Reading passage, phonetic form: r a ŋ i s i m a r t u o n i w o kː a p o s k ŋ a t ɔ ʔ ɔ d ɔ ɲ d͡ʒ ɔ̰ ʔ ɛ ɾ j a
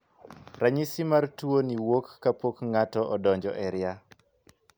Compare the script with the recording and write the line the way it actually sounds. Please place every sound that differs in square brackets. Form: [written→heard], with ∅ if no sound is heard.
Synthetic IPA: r a [ŋ→ɲ] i s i m a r t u o n i w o kː a p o [s→∅] k ŋ a t ɔ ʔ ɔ d ɔ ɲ d͡ʒ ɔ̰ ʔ ɛ ɾ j a